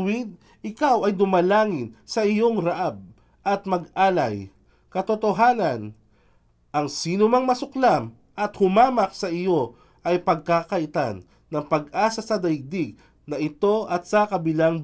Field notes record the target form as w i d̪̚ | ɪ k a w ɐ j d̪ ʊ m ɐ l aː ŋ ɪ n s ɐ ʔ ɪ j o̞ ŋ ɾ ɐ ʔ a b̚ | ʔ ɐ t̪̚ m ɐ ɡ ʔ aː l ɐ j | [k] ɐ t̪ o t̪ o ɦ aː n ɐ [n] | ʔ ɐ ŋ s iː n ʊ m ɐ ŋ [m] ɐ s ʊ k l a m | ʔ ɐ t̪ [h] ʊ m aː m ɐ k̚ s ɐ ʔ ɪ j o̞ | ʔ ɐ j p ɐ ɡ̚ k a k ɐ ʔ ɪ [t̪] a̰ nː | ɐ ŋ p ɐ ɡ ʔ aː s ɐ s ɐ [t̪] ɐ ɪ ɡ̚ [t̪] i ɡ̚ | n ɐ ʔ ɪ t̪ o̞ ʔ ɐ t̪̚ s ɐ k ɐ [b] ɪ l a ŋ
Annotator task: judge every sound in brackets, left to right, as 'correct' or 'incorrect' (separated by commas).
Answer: correct, correct, correct, correct, correct, incorrect, incorrect, correct